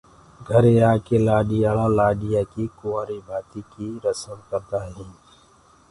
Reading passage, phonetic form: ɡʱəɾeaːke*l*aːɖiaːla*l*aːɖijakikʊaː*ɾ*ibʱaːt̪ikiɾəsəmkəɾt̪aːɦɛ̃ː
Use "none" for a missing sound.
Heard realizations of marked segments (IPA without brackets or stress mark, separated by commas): l, l, ɾ